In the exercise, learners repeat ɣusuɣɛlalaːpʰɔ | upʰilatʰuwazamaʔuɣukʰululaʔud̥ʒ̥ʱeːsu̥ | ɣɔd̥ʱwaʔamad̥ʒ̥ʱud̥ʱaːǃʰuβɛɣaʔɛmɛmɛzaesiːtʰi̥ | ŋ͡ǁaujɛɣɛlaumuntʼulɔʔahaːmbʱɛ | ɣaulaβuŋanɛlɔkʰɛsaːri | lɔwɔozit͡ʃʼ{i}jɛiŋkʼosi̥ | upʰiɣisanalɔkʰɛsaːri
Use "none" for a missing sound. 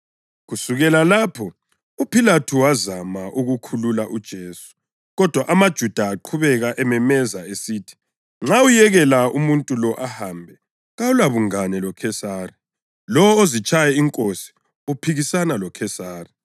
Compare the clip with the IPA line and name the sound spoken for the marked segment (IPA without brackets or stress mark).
a